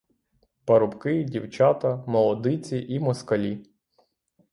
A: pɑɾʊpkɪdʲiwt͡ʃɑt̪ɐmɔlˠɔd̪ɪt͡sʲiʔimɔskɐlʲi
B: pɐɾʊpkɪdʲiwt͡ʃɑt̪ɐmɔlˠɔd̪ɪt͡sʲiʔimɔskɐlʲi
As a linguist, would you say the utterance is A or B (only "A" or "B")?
B